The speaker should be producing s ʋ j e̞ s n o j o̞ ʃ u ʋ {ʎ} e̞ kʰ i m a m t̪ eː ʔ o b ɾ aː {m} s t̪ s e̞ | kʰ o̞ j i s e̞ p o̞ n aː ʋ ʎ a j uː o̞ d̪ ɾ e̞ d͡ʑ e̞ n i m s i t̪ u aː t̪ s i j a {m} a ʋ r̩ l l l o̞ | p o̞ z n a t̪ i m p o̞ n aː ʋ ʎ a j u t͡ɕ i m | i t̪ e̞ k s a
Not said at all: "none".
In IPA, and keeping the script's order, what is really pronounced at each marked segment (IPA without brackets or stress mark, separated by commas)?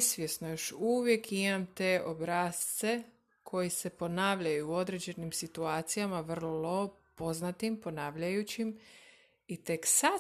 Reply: j, none, m